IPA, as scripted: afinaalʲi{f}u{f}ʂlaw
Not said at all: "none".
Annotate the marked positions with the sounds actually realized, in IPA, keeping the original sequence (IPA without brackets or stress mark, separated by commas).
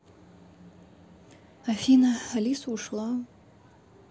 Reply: s, none